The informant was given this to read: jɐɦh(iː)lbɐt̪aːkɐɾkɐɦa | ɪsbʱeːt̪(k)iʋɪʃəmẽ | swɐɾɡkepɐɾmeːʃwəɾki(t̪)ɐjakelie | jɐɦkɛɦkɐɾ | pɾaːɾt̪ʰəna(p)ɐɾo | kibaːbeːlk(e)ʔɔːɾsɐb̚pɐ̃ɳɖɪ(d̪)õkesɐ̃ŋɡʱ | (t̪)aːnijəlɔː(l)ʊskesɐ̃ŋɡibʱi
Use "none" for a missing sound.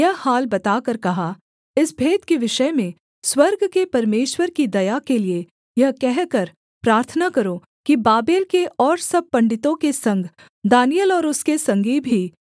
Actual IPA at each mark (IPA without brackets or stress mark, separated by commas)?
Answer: aː, k, d̪, k, e, t̪, d̪, ɾ